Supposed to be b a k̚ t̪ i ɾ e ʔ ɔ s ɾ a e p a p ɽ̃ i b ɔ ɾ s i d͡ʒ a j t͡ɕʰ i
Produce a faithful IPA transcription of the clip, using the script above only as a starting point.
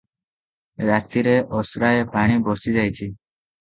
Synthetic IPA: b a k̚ t̪ i ɾ e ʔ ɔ s ɾ a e p a ɽ̃ i b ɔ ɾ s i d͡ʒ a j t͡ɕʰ i